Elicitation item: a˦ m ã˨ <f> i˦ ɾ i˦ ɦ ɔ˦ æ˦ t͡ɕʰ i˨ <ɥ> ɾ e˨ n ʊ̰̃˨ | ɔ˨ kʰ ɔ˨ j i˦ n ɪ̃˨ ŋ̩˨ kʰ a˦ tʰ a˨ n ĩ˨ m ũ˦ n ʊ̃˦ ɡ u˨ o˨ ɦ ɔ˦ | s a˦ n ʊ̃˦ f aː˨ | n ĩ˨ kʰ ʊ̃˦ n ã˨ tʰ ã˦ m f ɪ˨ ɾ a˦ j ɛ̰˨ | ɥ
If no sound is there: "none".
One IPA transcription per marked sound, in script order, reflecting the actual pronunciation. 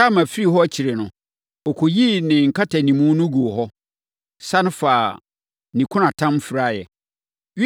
f, none

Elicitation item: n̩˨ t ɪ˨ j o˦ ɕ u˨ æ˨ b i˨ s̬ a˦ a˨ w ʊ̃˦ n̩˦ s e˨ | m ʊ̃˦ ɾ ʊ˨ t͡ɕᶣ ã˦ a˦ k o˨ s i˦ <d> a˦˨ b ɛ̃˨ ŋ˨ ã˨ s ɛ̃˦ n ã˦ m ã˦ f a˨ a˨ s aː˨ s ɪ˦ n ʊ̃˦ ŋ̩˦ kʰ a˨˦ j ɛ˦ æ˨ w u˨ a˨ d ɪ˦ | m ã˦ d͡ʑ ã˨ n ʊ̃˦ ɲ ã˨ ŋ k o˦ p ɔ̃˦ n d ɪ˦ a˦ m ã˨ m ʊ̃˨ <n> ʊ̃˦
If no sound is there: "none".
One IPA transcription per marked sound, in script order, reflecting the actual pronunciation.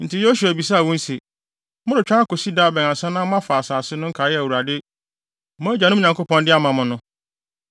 d, n

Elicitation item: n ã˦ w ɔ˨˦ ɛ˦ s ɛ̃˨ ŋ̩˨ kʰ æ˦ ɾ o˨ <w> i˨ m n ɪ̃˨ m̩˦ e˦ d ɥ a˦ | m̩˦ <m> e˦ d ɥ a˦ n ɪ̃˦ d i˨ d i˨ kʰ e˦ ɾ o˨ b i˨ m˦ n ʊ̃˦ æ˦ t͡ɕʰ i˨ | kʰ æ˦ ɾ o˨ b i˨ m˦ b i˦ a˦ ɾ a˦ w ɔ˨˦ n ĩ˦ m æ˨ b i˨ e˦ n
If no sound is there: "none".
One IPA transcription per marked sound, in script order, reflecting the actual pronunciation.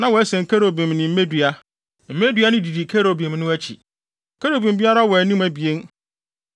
b, m

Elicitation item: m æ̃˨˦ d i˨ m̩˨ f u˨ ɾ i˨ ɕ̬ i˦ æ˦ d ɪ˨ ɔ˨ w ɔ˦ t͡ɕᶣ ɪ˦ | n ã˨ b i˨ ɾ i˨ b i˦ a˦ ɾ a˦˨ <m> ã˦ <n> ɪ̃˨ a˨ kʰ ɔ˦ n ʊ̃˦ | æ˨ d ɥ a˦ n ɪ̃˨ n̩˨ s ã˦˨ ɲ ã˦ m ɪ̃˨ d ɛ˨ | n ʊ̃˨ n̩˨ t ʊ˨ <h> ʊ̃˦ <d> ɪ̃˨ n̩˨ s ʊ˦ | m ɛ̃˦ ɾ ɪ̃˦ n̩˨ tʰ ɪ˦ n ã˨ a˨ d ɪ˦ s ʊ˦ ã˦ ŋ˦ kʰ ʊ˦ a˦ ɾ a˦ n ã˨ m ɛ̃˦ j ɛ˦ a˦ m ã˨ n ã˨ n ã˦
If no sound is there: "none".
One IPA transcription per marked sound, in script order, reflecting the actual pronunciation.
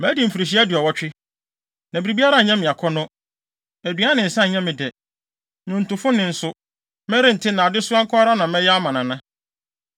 ɲ, m, f, n

